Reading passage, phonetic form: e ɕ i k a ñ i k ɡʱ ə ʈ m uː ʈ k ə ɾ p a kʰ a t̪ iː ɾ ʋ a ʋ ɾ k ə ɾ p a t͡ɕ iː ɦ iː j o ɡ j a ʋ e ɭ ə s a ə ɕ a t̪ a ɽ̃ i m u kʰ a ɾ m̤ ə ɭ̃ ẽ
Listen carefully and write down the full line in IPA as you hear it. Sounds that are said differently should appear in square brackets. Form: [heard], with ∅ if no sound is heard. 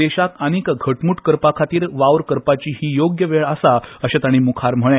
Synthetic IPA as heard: e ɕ [a] k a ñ i k ɡʱ ə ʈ m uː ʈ k ə ɾ p a kʰ a t̪ iː ɾ ʋ a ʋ ɾ k ə ɾ p a t͡ɕ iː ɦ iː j o ɡ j [ə] ʋ e ɭ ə s a ə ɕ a t̪ a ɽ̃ i m u kʰ a ɾ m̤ ə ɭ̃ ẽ